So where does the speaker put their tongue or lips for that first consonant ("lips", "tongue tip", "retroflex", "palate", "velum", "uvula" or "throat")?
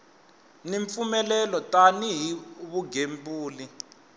tongue tip